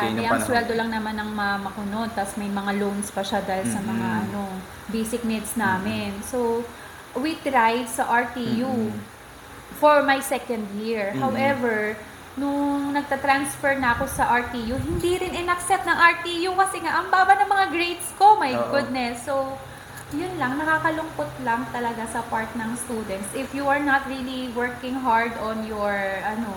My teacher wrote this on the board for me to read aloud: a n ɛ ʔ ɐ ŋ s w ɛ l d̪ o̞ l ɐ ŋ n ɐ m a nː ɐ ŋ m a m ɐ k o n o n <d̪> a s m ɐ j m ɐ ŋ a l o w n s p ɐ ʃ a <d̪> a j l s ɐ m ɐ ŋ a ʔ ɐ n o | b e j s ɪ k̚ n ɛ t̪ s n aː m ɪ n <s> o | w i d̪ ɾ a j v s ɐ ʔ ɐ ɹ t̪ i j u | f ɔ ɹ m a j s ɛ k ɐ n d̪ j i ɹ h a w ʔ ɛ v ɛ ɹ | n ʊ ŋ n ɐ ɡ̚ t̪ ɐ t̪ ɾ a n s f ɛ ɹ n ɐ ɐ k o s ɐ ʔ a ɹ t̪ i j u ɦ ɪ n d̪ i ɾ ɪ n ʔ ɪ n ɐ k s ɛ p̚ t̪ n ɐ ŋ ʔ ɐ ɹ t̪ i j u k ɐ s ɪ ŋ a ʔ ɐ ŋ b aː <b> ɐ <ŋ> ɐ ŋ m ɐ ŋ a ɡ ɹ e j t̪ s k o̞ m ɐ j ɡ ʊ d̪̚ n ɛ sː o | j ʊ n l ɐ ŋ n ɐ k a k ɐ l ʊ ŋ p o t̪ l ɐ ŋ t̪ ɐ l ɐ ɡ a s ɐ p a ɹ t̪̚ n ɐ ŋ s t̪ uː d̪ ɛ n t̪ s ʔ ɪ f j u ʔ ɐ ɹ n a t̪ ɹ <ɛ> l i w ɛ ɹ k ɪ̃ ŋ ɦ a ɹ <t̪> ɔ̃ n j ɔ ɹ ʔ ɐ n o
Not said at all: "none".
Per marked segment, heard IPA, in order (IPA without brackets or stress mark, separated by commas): t̪, d̪, s, b, n, i, d̪